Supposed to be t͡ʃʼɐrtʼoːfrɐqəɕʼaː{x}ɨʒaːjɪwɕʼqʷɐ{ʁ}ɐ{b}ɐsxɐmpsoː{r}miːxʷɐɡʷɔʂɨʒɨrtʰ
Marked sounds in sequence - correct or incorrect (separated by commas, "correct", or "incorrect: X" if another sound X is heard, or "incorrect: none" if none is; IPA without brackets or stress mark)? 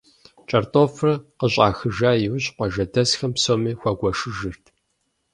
correct, incorrect: ʒ, incorrect: d, incorrect: none